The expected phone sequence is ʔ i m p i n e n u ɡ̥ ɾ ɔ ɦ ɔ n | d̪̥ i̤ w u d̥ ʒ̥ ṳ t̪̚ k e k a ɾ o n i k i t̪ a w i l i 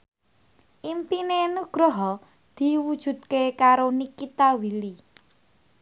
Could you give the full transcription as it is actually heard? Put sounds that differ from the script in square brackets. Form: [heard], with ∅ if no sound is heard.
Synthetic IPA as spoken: ʔ i m p i n e n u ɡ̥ ɾ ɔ ɦ ɔ [∅] | d̪̥ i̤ w u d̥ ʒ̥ ṳ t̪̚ k e k a ɾ o n i k i t̪ a w i l i